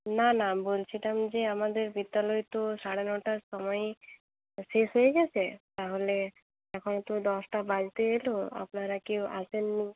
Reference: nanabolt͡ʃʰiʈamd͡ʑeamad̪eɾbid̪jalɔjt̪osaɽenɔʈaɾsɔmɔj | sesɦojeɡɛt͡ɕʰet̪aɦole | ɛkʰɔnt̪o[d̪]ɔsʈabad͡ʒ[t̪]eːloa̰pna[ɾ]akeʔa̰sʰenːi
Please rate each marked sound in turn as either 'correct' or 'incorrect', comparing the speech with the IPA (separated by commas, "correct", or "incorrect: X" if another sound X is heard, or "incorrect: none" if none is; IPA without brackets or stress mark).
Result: correct, correct, correct